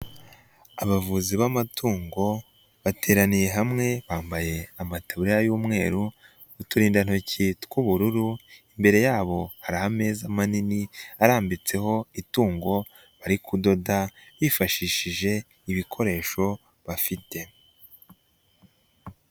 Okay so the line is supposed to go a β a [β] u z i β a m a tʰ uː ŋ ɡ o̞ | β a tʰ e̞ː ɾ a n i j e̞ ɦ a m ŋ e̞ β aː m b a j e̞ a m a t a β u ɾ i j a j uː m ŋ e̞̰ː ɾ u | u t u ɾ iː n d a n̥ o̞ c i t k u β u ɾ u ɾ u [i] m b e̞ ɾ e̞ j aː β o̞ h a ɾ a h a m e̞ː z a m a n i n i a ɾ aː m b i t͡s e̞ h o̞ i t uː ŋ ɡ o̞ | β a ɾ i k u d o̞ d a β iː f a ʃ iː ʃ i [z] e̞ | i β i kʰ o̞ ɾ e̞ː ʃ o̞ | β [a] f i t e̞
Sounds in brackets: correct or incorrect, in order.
incorrect: v, correct, incorrect: ʒ, correct

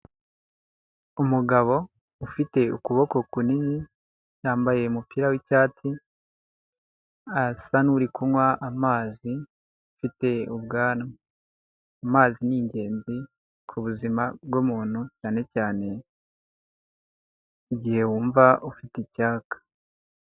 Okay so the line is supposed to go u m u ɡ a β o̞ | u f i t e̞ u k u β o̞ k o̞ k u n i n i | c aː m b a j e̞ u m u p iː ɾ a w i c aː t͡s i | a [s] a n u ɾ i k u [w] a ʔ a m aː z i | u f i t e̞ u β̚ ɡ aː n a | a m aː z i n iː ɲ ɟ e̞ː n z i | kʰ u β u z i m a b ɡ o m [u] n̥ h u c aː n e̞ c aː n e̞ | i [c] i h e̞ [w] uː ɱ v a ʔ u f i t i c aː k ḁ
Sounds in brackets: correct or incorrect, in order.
correct, correct, incorrect: uː, incorrect: ɟ, correct

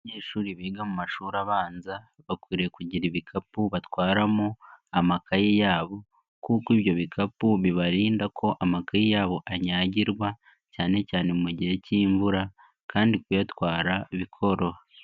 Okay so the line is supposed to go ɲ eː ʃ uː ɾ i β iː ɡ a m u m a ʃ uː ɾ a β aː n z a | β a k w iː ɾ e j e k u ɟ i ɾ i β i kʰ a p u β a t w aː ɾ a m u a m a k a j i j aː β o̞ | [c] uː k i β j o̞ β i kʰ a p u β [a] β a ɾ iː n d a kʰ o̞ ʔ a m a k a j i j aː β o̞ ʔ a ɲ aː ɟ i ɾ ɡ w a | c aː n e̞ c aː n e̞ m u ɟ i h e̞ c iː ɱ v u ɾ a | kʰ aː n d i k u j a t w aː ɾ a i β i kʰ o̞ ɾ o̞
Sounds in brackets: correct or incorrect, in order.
incorrect: k, incorrect: i

